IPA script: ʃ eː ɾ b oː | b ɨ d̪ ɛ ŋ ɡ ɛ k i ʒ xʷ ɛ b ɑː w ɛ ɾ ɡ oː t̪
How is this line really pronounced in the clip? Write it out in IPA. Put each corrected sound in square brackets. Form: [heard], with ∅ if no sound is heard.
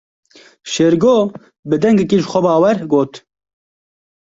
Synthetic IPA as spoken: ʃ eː ɾ [ɡ] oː | b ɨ d̪ ɛ ŋ ɡ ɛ k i ʒ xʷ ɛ b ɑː w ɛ ɾ ɡ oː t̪